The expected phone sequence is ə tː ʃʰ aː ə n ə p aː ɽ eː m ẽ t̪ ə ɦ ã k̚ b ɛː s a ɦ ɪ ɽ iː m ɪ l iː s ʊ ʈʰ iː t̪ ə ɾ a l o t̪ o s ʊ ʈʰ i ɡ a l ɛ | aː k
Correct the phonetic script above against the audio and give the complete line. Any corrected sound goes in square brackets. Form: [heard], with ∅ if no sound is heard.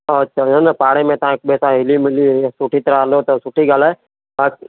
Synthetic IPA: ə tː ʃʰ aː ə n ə p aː ɽ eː m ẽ t̪ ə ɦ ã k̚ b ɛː s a ɦ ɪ [l] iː m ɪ l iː s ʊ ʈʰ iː t̪ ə ɾ a l o t̪ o s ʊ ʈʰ i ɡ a l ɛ | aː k